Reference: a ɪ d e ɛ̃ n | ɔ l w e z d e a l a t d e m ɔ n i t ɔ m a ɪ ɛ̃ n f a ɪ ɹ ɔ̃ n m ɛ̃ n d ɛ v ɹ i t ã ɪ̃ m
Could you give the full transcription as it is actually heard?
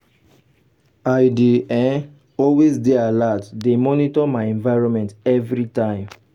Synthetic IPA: a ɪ d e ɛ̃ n | ɔ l w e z d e a l a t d e m ɔ n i t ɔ m a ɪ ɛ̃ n v a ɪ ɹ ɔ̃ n m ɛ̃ n t ɛ v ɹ i t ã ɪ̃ m